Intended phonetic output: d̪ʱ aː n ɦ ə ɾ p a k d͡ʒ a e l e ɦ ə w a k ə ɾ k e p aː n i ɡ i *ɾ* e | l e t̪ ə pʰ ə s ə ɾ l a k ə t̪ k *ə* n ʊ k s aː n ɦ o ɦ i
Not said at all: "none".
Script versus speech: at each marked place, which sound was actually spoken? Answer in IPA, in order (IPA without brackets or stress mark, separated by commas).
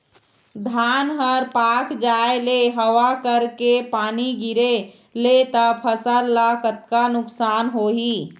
ɾ, a